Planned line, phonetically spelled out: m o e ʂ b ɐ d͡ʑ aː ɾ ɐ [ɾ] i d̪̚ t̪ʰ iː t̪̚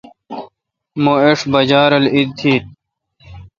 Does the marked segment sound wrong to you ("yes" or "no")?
yes